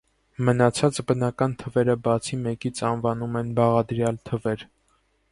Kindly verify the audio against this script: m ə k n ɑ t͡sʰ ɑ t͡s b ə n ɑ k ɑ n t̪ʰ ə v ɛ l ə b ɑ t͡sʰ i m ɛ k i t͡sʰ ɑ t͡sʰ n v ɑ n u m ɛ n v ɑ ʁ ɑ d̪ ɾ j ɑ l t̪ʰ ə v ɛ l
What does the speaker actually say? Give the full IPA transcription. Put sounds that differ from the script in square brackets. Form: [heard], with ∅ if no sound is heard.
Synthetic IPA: m ə [∅] n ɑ t͡sʰ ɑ t͡s b ə n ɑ k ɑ n t̪ʰ ə v ɛ [ɾ] ə b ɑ t͡sʰ i m ɛ k i t͡sʰ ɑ [∅] n v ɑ n u m ɛ n [b] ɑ ʁ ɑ d̪ ɾ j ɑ l t̪ʰ ə v ɛ [ɾ]

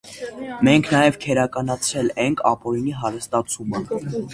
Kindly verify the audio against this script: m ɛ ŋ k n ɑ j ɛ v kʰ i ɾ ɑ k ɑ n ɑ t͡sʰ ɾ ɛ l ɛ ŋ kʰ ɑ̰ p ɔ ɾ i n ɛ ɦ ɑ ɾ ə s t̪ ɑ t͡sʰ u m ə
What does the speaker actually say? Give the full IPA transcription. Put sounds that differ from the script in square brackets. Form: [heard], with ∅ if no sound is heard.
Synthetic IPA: m ɛ ŋ [kʰ] n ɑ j ɛ v kʰ [ɛ] ɾ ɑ k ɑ n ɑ t͡sʰ ɾ ɛ l ɛ ŋ kʰ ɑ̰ p ɔ ɾ i n [i] ɦ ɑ ɾ ə s t̪ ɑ t͡sʰ u m ə

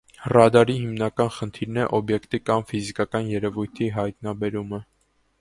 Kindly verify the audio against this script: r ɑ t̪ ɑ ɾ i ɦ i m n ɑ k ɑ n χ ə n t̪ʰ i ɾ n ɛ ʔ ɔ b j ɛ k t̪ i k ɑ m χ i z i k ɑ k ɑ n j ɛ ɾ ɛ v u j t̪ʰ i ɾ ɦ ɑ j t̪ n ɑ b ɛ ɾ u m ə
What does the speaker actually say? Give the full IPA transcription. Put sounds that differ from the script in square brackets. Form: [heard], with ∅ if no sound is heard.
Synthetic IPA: r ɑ [d̪] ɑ ɾ i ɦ i m n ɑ k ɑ n χ ə n t̪ʰ i ɾ n ɛ ʔ ɔ b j ɛ k t̪ i k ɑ m [f] i z i k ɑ k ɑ n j ɛ ɾ ɛ v u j t̪ʰ i [∅] ɦ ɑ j t̪ n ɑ b ɛ ɾ u m ə

